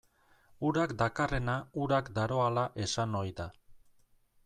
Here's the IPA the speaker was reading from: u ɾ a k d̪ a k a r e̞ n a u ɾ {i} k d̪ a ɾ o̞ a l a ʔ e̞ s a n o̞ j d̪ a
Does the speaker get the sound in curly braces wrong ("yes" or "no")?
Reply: yes